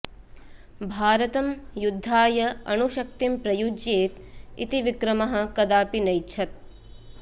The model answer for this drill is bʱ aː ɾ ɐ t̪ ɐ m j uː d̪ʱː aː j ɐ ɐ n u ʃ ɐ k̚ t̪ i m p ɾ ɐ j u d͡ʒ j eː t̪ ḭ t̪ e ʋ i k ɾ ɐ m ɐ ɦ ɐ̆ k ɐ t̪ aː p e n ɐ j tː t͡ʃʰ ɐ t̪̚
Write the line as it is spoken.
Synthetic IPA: bʱ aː ɾ ɐ t̪ ɐ m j u d̪ʱː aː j ɐ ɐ n u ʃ ɐ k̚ t̪ i m p ɾ ɐ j u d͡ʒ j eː t̪ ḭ t̪ i ʋ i k ɾ ɐ m ɐ ɦ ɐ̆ k ɐ d̪ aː p i n ɐ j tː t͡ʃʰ ɐ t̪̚